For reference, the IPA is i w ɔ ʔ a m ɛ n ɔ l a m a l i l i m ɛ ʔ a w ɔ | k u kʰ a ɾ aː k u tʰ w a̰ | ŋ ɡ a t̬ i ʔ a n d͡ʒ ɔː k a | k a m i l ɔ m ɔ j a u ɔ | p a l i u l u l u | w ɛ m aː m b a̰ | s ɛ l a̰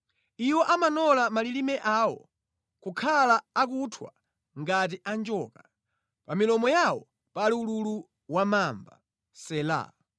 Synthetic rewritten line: i w ɔ ʔ a m a n ɔ l a m a l i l i m ɛ ʔ a w ɔ | k u kʰ a l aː k u tʰ w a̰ | ŋ ɡ a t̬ i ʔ a n d͡ʒ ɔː k a | p a m i l ɔ m ɔ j a w ɔ | p a l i u l u l u | w a m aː m b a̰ | s ɛ l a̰